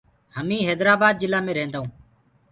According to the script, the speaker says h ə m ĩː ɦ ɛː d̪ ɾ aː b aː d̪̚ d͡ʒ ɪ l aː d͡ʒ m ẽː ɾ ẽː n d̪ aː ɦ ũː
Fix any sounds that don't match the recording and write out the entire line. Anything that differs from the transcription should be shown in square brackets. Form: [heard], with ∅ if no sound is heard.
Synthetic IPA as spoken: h ə m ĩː ɦ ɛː d̪ ɾ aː b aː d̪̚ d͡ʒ ɪ l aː [∅] m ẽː ɾ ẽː n d̪ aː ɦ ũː